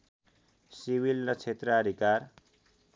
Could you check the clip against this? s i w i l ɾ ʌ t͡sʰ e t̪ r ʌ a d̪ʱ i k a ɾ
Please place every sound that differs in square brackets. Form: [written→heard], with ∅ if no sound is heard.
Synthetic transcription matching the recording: s i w i l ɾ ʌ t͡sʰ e t̪ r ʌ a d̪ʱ i k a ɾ